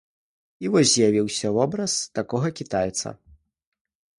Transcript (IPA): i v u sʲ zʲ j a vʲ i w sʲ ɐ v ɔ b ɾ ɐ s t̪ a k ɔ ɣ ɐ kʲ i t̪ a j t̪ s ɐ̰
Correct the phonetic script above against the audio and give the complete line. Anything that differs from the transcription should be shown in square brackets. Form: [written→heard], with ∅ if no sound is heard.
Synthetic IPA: i v [u→ɔ] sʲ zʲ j a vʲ i w sʲ ɐ v ɔ b ɾ ɐ s t̪ a k ɔ ɣ ɐ kʲ i t̪ a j t̪ s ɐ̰